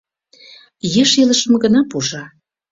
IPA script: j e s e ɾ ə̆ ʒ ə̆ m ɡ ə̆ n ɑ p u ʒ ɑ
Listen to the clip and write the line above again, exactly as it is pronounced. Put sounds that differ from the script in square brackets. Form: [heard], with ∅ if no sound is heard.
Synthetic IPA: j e [ʃ] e [l] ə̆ [ʃ] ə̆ m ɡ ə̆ n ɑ p u ʒ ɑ

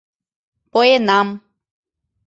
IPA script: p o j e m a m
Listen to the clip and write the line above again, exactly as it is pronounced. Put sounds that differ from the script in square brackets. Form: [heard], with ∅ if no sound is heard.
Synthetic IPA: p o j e [n] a m

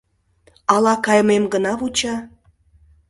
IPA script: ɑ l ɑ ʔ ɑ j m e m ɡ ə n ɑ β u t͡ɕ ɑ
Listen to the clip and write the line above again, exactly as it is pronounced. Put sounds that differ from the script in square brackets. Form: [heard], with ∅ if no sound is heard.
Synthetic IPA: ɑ l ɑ [k] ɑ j m e m ɡ ə n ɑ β u t͡ɕ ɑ

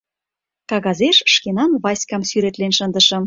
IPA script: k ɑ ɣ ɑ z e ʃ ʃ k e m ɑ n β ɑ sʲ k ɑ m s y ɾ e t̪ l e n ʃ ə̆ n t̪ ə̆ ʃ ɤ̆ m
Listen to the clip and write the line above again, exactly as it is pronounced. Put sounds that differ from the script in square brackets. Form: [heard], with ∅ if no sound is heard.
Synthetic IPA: k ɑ ɣ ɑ z e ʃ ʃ k e [n] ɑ n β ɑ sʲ k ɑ m s y ɾ e t̪ l e n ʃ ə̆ n [d̪] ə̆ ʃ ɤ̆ m

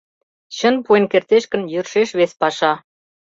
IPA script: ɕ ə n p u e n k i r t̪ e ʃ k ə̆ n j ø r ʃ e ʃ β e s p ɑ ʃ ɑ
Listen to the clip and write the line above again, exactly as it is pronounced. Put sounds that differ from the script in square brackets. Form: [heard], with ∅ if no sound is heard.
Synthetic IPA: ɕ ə n p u e n k [e] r t̪ e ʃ k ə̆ n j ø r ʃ e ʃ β e s p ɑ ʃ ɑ

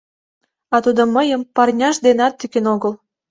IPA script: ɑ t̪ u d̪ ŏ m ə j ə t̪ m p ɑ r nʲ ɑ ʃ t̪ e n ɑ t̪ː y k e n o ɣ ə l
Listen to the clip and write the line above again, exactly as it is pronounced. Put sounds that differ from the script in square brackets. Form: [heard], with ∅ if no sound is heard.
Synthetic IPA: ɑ t̪ u d̪ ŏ m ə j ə [∅] m p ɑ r nʲ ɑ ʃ [d̪] e n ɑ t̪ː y k e n o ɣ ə l

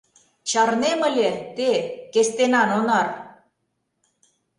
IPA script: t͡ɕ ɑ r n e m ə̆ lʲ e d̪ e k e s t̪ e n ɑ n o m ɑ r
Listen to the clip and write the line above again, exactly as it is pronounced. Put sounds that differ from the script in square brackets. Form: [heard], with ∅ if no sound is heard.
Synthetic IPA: t͡ɕ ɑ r n e m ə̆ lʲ e [t̪] e k e s t̪ e n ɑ n o [n] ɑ r

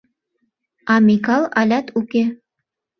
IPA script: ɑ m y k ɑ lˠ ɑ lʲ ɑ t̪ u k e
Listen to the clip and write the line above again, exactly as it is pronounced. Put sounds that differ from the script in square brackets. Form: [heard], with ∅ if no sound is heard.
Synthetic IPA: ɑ m [i] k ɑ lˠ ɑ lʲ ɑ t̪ u k e

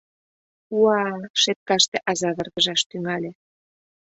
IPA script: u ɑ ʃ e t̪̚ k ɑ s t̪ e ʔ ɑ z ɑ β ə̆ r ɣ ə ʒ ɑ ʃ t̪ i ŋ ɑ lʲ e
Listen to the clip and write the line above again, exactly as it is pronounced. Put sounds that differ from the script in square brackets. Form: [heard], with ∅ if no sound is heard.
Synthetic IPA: u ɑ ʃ e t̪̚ k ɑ [ʃ] t̪ e ʔ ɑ z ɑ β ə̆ r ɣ ə ʒ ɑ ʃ t̪ [y] ŋ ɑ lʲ e

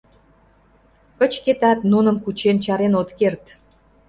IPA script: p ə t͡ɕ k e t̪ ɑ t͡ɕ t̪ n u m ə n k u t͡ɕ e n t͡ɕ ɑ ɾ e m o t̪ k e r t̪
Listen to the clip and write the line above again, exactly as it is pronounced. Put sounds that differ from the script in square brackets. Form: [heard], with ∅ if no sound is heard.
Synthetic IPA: [k] ə t͡ɕ k e t̪ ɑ [∅] t̪ n u [n] ə [m] k u t͡ɕ e n t͡ɕ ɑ ɾ e [n] o t̪ k e r t̪

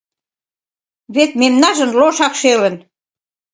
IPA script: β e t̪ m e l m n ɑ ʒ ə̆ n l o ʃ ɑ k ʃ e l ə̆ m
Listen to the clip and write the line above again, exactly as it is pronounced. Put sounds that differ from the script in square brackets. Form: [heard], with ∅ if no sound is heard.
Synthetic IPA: β e t̪ m e [∅] m n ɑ ʒ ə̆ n l o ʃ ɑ k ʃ e l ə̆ [n]

